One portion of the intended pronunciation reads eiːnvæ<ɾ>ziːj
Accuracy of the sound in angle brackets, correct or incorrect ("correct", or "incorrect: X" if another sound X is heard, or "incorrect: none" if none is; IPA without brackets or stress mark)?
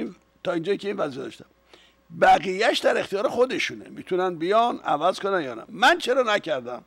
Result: incorrect: none